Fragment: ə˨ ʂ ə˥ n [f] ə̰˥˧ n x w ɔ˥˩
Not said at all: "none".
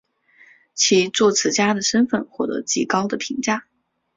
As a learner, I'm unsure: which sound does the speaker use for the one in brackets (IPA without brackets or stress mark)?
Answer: f